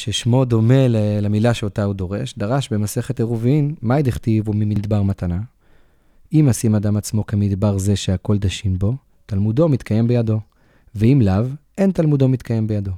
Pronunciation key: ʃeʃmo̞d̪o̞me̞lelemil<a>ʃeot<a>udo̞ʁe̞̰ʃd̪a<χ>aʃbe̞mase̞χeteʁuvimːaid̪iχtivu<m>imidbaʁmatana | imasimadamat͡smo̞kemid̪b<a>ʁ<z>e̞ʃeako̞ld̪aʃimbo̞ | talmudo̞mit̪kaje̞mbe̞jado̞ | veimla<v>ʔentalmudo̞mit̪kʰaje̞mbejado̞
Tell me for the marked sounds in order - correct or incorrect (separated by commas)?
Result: correct, correct, incorrect, correct, correct, correct, correct